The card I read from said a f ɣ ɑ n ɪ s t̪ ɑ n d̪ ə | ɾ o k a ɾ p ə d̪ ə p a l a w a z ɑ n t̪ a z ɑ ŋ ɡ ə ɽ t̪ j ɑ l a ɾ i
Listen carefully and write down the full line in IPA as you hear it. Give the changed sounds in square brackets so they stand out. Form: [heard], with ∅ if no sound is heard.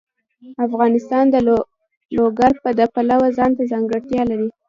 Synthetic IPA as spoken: a f ɣ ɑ n ɪ s t̪ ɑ n d̪ ə | [l] o [ɡ] a ɾ p ə d̪ ə p a l a w a z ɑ n t̪ a z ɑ ŋ ɡ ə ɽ t̪ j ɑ l a ɾ i